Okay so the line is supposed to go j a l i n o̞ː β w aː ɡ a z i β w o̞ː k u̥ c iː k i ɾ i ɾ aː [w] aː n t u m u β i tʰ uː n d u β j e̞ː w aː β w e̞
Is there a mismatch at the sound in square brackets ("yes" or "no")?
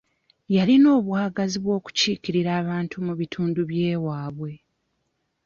yes